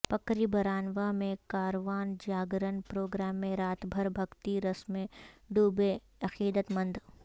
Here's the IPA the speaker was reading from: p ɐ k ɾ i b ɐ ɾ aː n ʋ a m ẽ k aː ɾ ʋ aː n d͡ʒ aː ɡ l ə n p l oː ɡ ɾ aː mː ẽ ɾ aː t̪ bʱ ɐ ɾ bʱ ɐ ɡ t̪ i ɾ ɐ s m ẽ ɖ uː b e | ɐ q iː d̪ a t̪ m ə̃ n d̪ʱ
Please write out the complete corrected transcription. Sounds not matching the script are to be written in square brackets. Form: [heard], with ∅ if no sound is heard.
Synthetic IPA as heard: p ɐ k ɾ i b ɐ ɾ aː n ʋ a m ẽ k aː ɾ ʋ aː n d͡ʒ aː ɡ [ɾ] ə n p [ɾ] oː ɡ ɾ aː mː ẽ ɾ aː t̪ bʱ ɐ ɾ bʱ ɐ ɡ t̪ i ɾ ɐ s m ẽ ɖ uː b e | ɐ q iː d̪ [ə] t̪ m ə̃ n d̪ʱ